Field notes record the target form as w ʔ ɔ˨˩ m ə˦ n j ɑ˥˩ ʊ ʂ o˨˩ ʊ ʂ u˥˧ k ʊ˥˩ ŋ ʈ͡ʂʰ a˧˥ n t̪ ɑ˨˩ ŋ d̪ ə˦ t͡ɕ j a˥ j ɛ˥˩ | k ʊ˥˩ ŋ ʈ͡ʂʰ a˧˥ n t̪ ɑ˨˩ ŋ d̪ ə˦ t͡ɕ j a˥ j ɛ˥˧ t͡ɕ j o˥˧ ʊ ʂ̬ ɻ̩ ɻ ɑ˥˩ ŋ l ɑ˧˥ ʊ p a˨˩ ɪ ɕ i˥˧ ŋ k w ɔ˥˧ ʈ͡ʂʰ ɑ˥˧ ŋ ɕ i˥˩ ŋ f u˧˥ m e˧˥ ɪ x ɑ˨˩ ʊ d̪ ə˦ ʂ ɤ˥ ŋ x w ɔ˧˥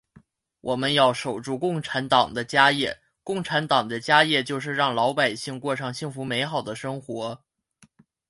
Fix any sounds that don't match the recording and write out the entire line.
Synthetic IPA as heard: w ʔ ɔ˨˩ m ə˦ n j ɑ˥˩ ʊ ʂ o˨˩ ʊ ʈ͡ʂ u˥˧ k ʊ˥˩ ŋ ʈ͡ʂʰ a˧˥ n t̪ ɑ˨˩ ŋ d̪ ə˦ t͡ɕ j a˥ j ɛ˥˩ | k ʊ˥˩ ŋ ʈ͡ʂʰ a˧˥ n t̪ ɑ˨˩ ŋ d̪ ə˦ t͡ɕ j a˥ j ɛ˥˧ t͡ɕ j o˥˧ ʊ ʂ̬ ɻ̩ ɻ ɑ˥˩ ŋ l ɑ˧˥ ʊ p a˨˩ ɪ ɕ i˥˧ ŋ k w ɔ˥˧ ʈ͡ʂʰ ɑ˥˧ ŋ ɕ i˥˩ ŋ f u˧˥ m e˧˥ ɪ x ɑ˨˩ ʊ d̪ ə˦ ʂ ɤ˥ ŋ x w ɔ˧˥